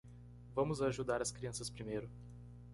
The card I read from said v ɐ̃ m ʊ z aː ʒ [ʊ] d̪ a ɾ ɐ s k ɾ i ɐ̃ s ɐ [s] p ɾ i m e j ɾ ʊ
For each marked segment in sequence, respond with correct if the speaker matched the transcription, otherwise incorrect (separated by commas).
incorrect, correct